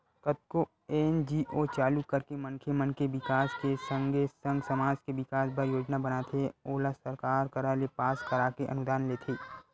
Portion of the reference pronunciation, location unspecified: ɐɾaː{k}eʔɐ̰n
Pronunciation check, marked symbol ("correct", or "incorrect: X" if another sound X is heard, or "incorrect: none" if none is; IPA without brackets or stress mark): correct